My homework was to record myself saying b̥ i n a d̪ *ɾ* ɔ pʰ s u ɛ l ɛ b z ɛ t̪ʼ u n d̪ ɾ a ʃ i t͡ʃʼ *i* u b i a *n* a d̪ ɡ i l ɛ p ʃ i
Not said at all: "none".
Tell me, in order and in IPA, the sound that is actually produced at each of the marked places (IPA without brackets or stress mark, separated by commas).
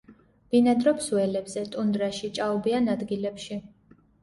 ɾ, a, n